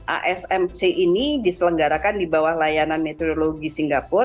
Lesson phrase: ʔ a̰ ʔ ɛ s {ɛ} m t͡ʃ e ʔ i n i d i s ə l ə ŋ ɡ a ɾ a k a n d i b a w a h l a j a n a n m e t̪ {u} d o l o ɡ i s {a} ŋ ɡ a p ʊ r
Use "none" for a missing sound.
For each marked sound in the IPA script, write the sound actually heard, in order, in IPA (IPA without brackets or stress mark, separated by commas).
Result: ɛ, o, i